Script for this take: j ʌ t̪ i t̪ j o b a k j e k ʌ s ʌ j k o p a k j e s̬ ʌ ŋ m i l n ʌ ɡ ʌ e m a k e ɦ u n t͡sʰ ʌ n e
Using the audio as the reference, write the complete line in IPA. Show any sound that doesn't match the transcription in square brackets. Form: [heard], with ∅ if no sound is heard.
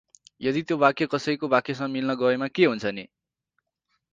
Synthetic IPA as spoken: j ʌ [d̪] i t̪ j o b a k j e k ʌ s ʌ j k o [b] a k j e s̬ ʌ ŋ m i l n ʌ ɡ ʌ e m a k e ɦ u n t͡sʰ ʌ n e